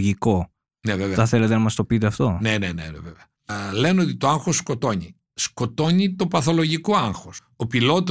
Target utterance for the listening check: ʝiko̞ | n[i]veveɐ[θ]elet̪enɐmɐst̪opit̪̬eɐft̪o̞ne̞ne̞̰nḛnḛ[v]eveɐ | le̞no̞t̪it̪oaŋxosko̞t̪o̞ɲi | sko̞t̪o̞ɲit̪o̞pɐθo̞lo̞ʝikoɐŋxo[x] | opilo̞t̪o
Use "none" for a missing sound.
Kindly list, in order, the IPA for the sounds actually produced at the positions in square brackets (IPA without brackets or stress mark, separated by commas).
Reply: e, θ, v, s